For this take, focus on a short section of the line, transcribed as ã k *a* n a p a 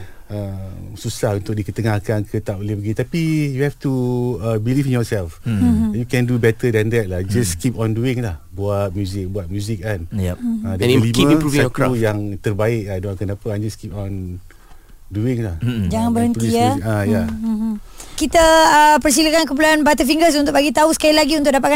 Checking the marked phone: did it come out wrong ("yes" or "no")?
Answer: yes